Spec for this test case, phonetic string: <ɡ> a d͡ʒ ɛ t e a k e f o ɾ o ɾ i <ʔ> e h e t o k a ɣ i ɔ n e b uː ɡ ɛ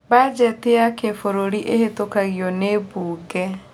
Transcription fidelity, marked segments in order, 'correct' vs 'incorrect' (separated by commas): incorrect, correct